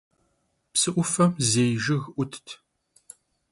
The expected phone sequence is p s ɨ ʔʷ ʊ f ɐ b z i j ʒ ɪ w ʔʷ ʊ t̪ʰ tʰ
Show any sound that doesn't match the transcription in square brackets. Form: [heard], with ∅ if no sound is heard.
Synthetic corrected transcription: p s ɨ ʔʷ ʊ f ɐ [m] z [e] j ʒ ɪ [ɣ] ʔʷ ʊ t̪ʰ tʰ